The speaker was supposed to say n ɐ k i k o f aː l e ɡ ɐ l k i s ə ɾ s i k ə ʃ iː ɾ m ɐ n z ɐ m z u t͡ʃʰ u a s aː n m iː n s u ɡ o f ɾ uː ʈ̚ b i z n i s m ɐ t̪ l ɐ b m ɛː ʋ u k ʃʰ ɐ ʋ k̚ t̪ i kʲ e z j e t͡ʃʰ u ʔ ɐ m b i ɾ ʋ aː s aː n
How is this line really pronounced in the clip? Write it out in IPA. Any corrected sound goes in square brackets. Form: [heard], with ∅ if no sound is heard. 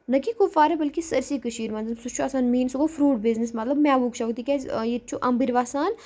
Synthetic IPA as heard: n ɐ k i k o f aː [ɾ] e [b] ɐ l k i s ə ɾ s i k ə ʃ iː ɾ m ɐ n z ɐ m [s] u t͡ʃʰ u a s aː n m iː n s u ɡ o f ɾ uː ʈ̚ b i z n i s m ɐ t̪ l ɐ b m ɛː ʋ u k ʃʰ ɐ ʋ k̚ t̪ i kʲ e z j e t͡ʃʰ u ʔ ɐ m b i ɾ ʋ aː s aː n